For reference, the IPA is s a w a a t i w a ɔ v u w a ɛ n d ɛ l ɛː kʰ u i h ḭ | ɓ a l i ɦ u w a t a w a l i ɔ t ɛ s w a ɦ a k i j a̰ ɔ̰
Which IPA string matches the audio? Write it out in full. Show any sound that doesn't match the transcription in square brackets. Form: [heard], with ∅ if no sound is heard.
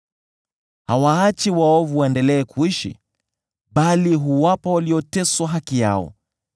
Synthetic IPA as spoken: [h] a w a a [t͡ʃ] i w a ɔ v u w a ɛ n d ɛ l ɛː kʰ u i [ʃ] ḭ | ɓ a l i ɦ u w a [p] a w a l i ɔ t ɛ s w a ɦ a k i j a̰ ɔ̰